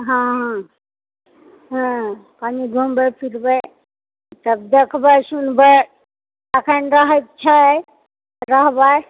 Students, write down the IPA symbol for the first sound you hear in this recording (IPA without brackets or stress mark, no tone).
ɦ